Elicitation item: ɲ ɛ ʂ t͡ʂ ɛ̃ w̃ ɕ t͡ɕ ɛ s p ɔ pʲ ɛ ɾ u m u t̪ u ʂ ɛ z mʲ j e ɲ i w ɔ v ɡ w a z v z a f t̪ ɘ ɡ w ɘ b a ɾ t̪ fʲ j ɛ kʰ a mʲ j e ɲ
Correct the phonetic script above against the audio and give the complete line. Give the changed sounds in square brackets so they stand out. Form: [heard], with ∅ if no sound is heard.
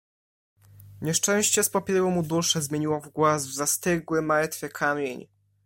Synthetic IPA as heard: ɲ ɛ ʂ t͡ʂ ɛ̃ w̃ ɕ t͡ɕ ɛ s p ɔ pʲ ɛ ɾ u m u [d̪] u ʂ ɛ z mʲ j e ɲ i w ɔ v ɡ w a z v z a [s] t̪ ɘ ɡ w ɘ [m] a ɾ t̪ fʲ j ɛ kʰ a mʲ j e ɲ